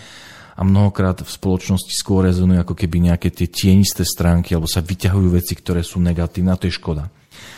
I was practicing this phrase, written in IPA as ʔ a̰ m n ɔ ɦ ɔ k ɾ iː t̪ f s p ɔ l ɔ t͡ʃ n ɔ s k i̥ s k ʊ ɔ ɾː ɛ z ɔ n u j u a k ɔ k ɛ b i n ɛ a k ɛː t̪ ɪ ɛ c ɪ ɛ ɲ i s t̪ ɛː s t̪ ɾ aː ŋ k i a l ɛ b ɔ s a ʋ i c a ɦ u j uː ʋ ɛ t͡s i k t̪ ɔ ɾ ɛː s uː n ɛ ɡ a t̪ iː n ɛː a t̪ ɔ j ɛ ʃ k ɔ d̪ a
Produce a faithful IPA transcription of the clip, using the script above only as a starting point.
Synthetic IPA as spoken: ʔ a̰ m n ɔ ɦ ɔ k ɾ aː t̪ f s p ɔ l ɔ t͡ʃ n ɔ s c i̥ s k ʊ ɔ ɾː ɛ z ɔ n u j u a k ɔ k ɛ b i ɲ ɛ a k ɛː t̪ ɪ ɛ c ɪ ɛ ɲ i s t̪ ɛː s t̪ ɾ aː ŋ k i a l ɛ b ɔ s a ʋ i c a ɦ u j uː ʋ ɛ t͡s i k t̪ ɔ ɾ ɛː s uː n ɛ ɡ a t̪ iː n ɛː a t̪ ɔ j ɛ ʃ k ɔ d̪ a